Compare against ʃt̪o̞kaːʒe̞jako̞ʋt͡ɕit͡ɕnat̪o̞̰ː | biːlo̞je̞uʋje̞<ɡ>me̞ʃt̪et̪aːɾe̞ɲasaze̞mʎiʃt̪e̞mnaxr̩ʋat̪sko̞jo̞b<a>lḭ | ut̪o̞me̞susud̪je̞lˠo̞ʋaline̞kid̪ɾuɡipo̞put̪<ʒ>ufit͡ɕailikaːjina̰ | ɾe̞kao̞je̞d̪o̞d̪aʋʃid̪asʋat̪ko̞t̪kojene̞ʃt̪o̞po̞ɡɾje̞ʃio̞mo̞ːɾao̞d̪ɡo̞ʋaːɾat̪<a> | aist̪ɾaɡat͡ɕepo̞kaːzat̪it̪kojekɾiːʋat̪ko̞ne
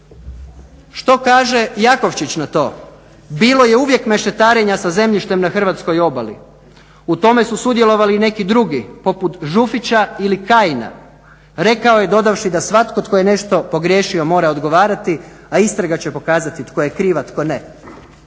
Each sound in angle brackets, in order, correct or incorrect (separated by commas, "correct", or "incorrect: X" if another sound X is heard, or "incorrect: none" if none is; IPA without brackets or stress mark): incorrect: k, correct, correct, incorrect: i